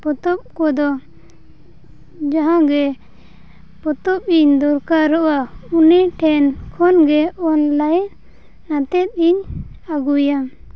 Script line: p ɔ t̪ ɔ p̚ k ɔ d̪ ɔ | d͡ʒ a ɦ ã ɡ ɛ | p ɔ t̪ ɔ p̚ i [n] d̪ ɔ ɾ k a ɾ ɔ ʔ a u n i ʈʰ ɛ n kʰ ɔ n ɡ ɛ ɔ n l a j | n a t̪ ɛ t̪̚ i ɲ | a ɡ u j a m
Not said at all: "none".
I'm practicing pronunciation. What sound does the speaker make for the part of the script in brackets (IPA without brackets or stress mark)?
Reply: ɲ